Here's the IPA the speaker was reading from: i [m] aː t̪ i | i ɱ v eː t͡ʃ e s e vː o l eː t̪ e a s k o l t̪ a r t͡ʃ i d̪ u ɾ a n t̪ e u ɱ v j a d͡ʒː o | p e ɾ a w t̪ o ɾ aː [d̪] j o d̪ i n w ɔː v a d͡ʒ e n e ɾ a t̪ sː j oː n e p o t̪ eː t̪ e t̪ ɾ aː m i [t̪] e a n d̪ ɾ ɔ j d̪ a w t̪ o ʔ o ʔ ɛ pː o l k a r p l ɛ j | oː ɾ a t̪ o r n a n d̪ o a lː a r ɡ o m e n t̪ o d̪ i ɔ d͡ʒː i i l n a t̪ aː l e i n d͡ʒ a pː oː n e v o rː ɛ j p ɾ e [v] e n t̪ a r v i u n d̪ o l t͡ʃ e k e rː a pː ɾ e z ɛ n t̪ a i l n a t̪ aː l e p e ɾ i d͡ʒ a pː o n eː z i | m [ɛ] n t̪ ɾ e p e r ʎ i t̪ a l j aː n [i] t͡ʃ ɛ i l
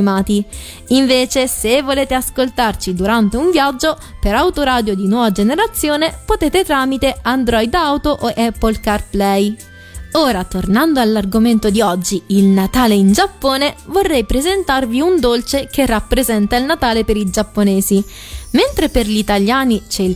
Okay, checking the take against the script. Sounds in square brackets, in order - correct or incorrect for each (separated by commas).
correct, correct, correct, incorrect, incorrect, correct